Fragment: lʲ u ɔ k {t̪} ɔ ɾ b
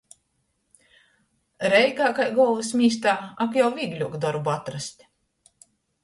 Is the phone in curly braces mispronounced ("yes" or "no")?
yes